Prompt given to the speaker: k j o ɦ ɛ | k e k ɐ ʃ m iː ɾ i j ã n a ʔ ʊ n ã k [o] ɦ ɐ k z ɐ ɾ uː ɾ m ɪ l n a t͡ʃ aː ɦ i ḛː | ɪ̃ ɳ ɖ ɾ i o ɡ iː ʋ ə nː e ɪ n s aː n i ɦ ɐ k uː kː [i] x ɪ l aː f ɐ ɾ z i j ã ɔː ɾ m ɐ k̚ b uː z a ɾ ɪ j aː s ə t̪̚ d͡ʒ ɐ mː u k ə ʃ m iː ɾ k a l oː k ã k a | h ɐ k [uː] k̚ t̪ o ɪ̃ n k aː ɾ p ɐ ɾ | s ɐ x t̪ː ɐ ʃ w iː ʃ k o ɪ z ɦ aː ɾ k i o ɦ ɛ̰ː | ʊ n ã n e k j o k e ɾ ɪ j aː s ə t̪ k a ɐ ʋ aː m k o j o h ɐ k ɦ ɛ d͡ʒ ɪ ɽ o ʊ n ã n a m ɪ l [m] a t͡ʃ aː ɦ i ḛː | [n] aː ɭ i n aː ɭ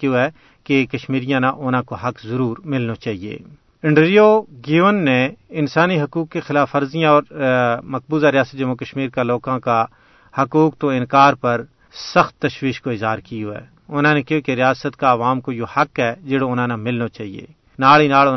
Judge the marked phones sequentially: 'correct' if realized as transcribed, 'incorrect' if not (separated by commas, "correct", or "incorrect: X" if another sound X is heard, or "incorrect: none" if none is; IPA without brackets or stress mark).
correct, incorrect: e, correct, incorrect: n, correct